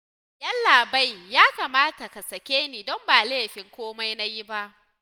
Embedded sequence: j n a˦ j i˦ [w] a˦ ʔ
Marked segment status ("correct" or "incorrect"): incorrect